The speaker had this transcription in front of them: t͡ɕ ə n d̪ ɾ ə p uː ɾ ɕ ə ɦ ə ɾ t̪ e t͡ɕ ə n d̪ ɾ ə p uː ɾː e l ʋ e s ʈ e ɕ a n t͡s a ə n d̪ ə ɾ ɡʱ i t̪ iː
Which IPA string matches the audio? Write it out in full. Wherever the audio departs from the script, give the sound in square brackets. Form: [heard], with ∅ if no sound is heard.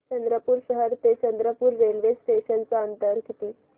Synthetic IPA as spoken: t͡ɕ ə n d̪ ɾ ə p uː ɾ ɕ ə ɦ ə ɾ t̪ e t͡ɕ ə n d̪ ɾ ə p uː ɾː e l ʋ e s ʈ e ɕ [ə] n t͡s a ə n [t̪] ə ɾ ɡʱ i t̪ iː